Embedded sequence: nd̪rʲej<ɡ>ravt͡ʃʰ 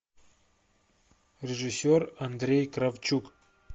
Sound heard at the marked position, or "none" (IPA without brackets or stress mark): k